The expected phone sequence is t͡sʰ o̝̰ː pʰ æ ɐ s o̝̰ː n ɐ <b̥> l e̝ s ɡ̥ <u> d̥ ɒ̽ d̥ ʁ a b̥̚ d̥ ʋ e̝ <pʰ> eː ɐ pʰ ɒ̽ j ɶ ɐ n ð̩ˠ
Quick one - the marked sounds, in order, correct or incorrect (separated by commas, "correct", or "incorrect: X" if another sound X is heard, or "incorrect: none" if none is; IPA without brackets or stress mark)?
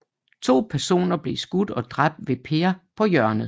correct, correct, correct